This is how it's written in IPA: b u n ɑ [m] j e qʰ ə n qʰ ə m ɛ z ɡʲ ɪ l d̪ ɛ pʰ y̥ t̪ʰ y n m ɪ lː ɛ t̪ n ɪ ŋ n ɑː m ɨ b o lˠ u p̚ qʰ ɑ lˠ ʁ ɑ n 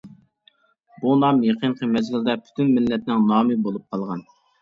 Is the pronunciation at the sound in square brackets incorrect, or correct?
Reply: correct